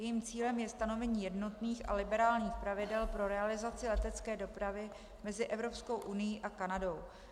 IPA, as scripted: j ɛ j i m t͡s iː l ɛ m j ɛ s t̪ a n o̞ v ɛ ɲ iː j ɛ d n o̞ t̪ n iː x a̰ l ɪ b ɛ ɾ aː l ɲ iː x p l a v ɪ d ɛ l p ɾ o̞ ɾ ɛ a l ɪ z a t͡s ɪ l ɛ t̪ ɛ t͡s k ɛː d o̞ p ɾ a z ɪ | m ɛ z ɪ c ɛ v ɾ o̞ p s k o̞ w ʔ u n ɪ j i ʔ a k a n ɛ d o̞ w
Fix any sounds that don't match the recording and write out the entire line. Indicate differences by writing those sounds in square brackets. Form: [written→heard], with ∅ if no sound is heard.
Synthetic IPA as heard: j ɛ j i m t͡s iː l ɛ m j ɛ s t̪ a n o̞ v ɛ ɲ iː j ɛ d n o̞ t̪ n iː x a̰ l ɪ b ɛ ɾ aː l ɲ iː x p [l→ɾ] a v ɪ d ɛ l p ɾ o̞ ɾ ɛ a l ɪ z a t͡s ɪ l ɛ t̪ ɛ t͡s k ɛː d o̞ p ɾ a [z→v] ɪ | m ɛ z ɪ [c→ʔ] ɛ v ɾ o̞ p s k o̞ w ʔ u n ɪ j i ʔ a k a n [ɛ→a] d o̞ w